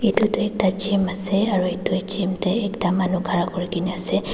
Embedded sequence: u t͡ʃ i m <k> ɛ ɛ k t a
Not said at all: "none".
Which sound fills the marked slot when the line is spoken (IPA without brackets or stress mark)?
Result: t